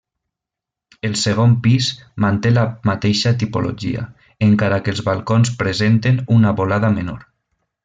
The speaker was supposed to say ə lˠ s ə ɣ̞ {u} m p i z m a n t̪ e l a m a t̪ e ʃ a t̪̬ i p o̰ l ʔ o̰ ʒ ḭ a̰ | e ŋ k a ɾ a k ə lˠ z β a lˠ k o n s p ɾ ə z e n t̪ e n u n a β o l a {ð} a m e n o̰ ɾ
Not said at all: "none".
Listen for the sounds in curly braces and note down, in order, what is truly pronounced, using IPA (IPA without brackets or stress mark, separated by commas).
o, ð